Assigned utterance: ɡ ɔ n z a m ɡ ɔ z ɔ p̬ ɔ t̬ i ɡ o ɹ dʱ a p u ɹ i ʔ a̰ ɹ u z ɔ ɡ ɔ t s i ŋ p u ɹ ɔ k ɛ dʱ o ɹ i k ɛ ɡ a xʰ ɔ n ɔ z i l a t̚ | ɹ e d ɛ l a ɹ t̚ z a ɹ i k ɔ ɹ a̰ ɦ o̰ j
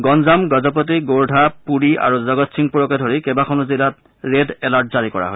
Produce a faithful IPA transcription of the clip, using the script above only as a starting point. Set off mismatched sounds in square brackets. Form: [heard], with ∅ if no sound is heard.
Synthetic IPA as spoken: ɡ ɔ n z a m ɡ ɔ z ɔ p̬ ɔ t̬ i ɡ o ɹ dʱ a p u ɹ i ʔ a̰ ɹ u z ɔ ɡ ɔ t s i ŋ p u ɹ ɔ k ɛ dʱ o ɹ i k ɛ [b] a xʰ ɔ n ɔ z i l a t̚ | ɹ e d ɛ l a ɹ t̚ z a ɹ i k ɔ ɹ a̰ ɦ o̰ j